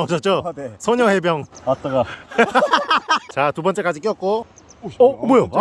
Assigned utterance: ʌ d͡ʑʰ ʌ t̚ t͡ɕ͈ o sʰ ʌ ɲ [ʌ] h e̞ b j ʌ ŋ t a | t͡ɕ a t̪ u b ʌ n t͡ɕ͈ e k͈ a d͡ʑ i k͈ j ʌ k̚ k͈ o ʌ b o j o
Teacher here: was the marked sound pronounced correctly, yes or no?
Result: yes